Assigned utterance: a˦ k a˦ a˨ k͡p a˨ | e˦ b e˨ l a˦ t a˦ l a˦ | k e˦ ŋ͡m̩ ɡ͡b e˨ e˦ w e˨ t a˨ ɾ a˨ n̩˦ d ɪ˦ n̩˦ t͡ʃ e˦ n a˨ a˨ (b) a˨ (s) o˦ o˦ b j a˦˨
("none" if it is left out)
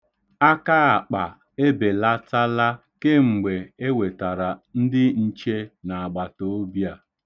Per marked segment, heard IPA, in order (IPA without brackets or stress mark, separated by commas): ɡ͡b, t